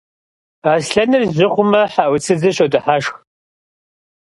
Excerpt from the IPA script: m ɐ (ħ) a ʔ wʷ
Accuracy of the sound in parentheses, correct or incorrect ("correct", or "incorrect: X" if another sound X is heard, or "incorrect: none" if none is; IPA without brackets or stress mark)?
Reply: correct